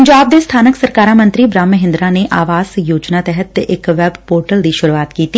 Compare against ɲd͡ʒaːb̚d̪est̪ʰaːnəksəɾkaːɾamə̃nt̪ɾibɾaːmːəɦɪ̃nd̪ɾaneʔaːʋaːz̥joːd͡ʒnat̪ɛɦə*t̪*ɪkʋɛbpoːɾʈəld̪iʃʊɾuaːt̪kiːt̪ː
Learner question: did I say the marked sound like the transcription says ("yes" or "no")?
yes